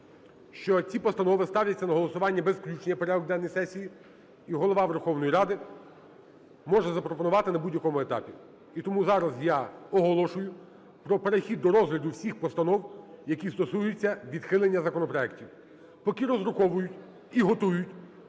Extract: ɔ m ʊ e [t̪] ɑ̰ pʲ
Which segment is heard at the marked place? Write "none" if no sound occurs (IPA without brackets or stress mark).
t̪